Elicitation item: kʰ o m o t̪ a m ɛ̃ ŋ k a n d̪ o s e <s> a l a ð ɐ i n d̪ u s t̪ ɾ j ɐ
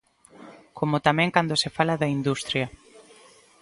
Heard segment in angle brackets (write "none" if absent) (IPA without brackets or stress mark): f